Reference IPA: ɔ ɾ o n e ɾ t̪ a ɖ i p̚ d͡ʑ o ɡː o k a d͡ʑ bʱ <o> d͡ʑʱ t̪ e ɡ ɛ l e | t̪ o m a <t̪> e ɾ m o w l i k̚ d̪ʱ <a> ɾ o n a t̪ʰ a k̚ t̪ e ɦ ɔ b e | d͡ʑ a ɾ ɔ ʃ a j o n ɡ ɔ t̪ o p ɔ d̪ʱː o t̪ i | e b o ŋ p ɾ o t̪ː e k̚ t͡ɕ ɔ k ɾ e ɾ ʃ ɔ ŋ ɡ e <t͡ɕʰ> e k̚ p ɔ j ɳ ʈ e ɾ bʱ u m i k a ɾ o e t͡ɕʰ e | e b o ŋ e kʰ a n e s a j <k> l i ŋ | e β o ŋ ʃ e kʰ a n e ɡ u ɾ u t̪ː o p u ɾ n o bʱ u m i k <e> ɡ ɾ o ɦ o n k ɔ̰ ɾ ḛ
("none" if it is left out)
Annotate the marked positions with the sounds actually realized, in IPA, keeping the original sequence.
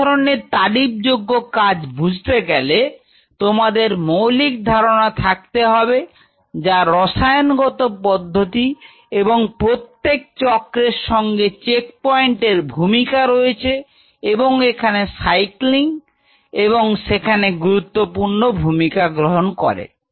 u, d̪, a, t͡ɕ, k, a

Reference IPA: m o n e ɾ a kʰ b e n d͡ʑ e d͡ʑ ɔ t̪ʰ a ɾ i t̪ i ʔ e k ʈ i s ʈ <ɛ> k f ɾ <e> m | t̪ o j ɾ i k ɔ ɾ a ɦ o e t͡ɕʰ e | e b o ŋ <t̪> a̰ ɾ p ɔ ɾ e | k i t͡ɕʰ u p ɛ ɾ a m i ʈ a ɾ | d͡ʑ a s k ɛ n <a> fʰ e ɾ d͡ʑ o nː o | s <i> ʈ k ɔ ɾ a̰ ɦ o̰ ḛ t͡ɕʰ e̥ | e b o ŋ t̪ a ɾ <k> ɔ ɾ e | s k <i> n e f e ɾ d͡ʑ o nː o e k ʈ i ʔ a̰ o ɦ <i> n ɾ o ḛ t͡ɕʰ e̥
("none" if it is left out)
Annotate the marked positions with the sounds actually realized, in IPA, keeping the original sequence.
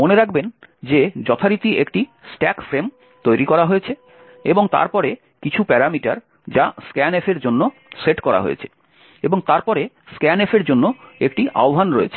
ɛ, e, t̪, e, e, p, ɛ, a

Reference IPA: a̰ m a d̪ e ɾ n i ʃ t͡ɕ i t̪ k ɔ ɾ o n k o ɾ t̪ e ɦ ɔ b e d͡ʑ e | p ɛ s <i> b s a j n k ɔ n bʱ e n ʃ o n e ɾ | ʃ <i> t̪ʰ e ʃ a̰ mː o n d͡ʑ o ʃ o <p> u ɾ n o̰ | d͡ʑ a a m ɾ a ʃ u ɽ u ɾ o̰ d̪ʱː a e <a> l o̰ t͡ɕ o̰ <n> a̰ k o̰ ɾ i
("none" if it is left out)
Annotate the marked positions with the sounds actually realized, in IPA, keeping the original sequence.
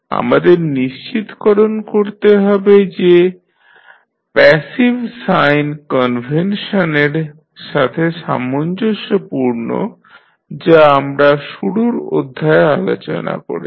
i, a, p, a, n

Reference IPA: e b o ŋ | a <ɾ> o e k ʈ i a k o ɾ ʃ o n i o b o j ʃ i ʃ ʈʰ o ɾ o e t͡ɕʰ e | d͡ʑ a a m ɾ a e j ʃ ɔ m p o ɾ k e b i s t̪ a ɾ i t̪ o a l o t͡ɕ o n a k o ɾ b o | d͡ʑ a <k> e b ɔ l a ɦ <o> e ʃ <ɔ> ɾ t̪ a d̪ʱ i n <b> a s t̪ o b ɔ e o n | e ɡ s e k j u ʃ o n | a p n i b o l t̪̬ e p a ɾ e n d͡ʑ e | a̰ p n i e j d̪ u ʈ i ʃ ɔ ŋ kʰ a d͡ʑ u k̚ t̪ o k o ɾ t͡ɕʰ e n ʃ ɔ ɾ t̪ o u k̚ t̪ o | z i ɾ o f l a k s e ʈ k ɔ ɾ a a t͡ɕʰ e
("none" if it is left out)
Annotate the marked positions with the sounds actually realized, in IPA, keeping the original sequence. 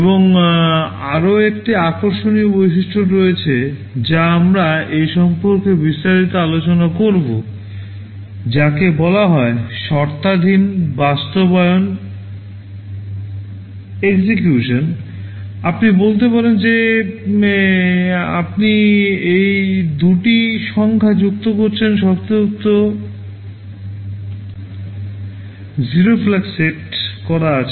ɾ, k, ɔ, ɔ, b

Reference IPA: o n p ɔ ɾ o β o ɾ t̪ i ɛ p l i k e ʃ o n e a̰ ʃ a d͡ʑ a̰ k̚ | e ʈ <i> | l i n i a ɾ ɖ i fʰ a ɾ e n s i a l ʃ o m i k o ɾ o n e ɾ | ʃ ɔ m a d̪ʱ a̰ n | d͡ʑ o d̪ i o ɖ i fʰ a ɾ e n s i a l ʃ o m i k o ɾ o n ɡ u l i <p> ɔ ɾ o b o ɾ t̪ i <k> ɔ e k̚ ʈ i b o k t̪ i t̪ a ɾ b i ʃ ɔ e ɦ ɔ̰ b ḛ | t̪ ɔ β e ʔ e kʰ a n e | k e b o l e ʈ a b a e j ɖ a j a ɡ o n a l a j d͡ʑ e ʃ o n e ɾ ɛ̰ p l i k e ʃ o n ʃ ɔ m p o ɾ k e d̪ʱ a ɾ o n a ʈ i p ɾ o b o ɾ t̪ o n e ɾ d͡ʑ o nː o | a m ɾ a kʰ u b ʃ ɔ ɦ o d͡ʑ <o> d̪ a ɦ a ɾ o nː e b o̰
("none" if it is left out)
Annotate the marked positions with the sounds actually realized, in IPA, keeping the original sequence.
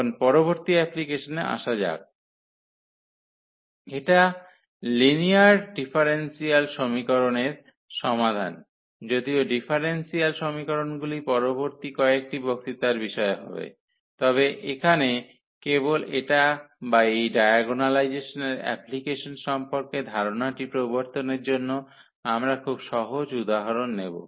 a, p, k, u

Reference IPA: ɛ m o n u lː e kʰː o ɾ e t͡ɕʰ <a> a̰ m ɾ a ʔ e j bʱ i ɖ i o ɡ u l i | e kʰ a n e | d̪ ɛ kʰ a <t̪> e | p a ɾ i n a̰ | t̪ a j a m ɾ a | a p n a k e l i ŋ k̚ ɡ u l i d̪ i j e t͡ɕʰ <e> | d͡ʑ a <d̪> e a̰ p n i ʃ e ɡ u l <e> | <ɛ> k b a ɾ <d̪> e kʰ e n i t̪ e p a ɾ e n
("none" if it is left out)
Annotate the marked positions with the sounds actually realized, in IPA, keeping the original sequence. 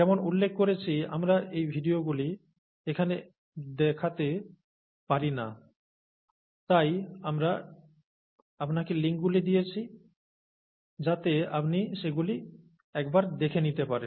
i, t̪, i, t̪, i, ɛ, d̪

